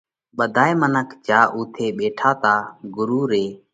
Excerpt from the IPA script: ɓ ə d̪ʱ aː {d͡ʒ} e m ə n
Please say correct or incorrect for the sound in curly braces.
incorrect